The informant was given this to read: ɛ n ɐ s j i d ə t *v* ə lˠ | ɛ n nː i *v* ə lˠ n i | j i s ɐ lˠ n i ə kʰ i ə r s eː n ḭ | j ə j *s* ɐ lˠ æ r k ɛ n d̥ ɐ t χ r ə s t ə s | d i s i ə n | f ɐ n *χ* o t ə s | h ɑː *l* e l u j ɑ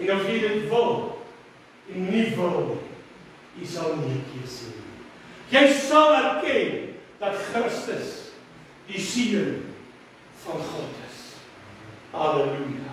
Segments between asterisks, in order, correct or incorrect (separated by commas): correct, correct, correct, correct, correct